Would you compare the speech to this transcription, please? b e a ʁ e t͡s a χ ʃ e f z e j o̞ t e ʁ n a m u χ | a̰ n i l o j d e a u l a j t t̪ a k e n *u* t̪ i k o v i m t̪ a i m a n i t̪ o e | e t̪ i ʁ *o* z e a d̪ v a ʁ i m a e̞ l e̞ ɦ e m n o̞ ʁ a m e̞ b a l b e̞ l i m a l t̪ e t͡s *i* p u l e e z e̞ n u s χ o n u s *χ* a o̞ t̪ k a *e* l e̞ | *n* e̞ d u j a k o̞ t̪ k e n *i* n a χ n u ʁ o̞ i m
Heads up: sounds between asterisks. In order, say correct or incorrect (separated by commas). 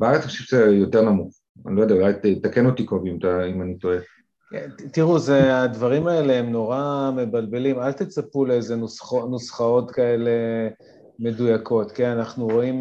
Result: incorrect, incorrect, incorrect, correct, correct, incorrect, incorrect